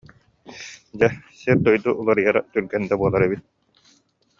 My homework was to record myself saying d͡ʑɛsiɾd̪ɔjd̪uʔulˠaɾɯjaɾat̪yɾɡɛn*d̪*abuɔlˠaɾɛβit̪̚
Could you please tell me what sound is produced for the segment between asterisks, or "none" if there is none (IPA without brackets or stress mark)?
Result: d̪